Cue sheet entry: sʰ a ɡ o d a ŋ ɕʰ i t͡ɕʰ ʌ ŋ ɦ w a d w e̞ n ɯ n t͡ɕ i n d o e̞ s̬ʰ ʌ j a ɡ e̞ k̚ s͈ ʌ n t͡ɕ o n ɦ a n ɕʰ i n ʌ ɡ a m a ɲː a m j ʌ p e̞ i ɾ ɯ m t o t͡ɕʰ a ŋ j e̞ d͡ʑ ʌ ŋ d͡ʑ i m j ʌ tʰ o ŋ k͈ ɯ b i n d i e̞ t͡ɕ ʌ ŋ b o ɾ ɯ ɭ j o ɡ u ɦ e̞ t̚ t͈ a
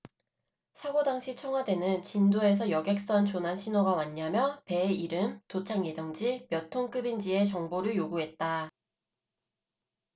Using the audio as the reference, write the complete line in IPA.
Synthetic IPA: sʰ a ɡ o d a ŋ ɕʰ i t͡ɕʰ ʌ ŋ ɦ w a d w e̞ n ɯ n t͡ɕ i n d o e̞ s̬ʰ ʌ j ʌ ɡ e̞ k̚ s͈ ʌ n t͡ɕ o n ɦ a n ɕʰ i n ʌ ɡ a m a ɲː a m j ʌ p e̞ i ɾ ɯ m t o t͡ɕʰ a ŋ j e̞ d͡ʑ ʌ ŋ d͡ʑ i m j ʌ tʰ o ŋ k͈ ɯ b i n d͡ʑ i e̞ t͡ɕ ʌ ŋ b o ɾ ɯ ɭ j o ɡ u ɦ e̞ t̚ t͈ a